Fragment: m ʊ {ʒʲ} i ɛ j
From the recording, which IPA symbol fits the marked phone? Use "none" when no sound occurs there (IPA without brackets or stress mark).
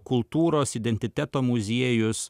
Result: zʲ